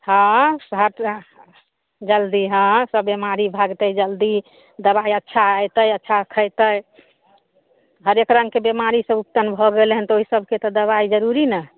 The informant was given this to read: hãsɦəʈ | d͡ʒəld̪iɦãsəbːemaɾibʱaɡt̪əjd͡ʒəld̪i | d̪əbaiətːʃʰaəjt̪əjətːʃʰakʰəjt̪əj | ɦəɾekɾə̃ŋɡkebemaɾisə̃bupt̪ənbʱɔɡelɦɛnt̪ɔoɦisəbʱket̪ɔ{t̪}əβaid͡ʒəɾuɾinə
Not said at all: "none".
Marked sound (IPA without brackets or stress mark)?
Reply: d̪